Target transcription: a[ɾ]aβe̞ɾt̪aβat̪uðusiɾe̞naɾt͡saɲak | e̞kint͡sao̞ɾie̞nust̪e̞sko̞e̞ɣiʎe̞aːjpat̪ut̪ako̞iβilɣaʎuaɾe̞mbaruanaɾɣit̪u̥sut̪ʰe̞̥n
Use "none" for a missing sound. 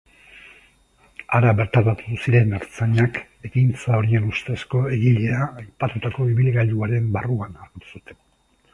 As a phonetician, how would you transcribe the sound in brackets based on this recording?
ɾ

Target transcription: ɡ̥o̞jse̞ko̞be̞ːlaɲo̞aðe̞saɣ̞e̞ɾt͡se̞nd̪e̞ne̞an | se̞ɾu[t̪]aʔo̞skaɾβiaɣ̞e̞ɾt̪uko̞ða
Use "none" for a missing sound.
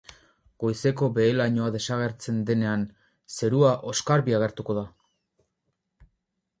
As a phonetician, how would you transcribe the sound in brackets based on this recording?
none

